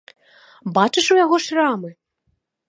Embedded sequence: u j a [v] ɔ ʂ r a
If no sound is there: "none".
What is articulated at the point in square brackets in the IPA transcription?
ɣ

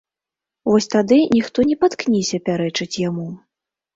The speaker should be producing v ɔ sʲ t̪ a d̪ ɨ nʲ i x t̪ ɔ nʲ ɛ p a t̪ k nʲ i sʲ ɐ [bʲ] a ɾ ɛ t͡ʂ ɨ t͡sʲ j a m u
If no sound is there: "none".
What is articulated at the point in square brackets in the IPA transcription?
pʲ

